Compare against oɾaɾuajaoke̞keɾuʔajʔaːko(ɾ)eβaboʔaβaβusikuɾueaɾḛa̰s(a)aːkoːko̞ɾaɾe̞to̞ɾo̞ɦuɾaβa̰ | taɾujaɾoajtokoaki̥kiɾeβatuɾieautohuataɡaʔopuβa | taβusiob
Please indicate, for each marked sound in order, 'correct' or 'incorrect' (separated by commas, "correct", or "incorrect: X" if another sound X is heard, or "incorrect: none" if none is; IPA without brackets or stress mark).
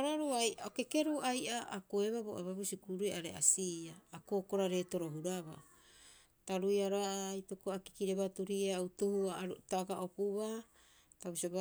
incorrect: none, incorrect: i